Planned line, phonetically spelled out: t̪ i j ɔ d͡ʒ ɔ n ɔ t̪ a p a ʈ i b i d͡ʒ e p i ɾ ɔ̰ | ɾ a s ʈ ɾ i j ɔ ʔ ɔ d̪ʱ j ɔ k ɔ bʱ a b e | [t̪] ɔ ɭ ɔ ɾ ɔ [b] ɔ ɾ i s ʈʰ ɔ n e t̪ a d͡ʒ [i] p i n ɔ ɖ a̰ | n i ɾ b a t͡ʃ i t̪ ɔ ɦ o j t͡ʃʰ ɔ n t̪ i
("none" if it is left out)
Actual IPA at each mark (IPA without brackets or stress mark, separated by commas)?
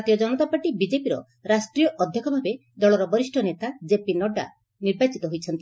d̪, b, e